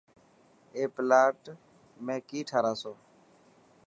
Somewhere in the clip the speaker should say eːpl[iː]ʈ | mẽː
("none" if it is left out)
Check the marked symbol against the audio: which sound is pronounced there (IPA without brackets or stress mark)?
aː